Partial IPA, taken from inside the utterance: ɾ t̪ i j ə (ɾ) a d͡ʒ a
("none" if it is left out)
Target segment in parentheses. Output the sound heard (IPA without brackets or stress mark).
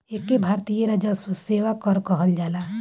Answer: ɾ